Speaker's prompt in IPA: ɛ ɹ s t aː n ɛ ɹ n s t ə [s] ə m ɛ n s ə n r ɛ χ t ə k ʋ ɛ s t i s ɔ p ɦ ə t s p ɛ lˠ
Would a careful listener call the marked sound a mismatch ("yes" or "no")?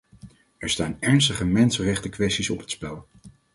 yes